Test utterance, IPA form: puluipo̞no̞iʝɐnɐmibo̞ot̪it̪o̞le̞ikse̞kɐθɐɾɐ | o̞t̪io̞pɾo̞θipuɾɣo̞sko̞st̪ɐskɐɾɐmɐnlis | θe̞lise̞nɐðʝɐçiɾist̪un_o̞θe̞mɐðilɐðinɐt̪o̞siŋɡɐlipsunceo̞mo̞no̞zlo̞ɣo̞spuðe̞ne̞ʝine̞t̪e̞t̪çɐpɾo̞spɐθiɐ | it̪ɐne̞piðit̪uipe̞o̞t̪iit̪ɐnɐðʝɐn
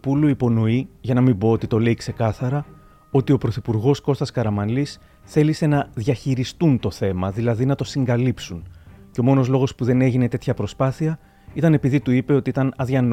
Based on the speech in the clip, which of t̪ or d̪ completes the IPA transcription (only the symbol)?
t̪